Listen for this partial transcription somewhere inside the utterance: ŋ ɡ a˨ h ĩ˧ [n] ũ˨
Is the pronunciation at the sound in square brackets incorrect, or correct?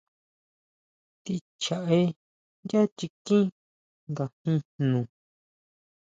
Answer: correct